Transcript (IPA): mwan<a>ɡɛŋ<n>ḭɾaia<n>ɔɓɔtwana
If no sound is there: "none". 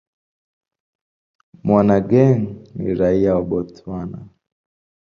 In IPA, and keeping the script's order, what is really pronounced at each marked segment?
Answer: a, n, none

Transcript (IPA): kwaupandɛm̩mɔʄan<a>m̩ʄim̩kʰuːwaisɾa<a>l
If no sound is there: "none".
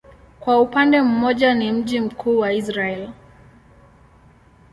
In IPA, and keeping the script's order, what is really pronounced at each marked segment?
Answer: i, ɛ

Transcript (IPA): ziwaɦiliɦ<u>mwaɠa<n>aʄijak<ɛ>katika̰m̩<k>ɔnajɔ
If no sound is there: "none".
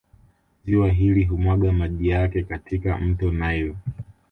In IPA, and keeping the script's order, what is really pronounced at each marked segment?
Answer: u, m, ɛ, t

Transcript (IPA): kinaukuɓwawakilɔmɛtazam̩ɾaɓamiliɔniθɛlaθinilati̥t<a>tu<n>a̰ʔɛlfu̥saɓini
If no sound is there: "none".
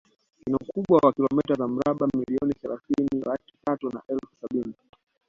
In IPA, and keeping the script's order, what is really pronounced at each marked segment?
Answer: a, n

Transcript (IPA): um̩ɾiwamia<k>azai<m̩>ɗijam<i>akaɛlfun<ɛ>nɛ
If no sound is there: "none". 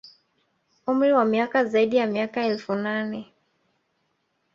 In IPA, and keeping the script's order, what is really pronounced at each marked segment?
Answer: k, none, i, a

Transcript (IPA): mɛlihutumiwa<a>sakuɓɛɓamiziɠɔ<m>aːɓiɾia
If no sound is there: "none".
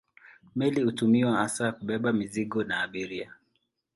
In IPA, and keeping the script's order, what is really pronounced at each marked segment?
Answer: a, n

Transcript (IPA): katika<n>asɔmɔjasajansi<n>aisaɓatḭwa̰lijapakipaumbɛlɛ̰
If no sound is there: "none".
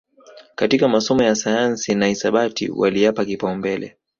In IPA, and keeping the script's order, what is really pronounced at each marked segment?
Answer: m, n

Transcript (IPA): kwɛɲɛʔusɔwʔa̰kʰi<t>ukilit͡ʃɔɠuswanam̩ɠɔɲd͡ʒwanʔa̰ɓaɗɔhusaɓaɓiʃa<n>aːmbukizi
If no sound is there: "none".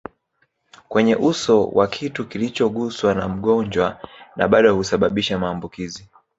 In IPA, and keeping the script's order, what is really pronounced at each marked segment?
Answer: t, m

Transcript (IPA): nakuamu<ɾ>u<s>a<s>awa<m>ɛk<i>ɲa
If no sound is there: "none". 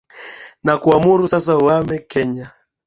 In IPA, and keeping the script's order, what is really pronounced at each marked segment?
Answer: ɾ, s, s, m, ɛ

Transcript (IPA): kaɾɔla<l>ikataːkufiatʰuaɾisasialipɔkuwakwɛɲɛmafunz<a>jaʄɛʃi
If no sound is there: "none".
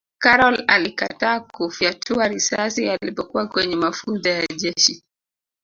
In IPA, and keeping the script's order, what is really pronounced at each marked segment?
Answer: l, a

